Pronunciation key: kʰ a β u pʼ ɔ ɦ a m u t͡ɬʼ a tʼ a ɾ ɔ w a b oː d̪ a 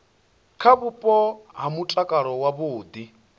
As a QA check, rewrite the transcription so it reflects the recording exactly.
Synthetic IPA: kʰ a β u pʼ ɔ ɦ a m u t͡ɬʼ a kʼ a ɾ ɔ w a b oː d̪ i